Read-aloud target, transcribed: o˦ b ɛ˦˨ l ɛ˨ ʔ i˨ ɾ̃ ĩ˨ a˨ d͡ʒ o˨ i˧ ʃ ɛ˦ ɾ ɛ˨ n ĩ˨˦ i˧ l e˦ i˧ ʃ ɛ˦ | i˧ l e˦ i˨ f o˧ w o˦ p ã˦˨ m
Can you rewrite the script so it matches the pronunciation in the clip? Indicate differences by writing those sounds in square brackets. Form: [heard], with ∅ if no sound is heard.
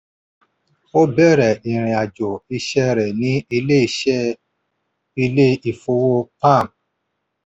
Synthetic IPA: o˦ b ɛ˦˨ [ɾ] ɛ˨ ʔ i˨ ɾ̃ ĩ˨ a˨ d͡ʒ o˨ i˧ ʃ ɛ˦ ɾ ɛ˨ n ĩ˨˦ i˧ l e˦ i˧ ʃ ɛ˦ | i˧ l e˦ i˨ f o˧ w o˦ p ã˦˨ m